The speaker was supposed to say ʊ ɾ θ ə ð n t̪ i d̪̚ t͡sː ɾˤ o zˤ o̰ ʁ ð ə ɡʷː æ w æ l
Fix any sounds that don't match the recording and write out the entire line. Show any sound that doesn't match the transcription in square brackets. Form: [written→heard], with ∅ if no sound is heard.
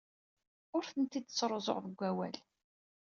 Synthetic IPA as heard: ʊ ɾ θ ə [ð→∅] n t̪ i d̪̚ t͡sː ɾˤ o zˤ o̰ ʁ ð ə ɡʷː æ w æ l